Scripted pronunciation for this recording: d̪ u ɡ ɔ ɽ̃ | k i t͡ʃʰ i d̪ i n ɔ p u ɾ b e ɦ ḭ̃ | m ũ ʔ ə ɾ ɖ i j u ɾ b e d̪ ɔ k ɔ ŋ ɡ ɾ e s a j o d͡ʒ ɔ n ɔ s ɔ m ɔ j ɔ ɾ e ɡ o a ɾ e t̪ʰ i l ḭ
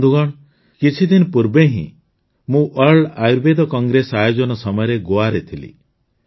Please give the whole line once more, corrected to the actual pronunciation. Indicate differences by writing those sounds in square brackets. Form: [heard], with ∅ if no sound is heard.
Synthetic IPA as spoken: d̪ u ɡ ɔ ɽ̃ | k i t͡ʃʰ i d̪ i n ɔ p u ɾ b e ɦ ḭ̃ | m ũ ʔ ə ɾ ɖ [a] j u ɾ b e d̪ ɔ k ɔ ŋ ɡ ɾ e s a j o d͡ʒ ɔ n ɔ s ɔ m ɔ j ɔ ɾ e ɡ o a ɾ e t̪ʰ i l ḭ